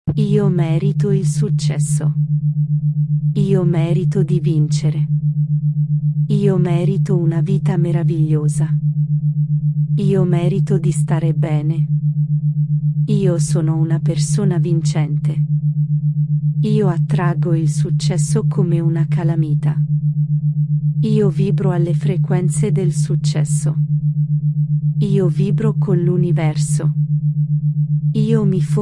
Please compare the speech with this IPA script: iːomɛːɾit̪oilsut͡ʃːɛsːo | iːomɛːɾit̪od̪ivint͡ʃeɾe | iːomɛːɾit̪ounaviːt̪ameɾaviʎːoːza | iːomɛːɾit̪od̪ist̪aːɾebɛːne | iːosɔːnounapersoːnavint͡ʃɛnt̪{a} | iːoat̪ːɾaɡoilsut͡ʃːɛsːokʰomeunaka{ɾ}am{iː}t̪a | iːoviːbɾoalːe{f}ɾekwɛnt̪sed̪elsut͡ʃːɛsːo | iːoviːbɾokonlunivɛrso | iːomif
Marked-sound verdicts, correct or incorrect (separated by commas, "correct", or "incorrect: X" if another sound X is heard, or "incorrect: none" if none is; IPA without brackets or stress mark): incorrect: e, incorrect: l, correct, correct